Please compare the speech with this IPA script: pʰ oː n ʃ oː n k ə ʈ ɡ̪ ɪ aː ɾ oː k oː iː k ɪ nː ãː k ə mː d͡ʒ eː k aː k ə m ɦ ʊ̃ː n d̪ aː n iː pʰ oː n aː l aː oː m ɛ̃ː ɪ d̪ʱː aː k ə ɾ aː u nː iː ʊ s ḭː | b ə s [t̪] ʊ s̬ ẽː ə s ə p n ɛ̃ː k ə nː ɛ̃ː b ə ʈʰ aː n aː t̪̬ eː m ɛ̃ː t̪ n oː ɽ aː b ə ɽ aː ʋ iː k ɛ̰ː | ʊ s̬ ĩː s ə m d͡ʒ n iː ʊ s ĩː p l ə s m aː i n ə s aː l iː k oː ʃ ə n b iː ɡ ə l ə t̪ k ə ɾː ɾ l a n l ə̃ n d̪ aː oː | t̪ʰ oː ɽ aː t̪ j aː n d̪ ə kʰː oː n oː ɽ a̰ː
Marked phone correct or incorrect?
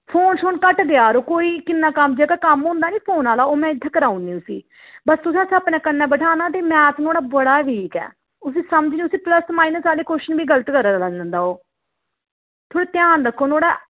correct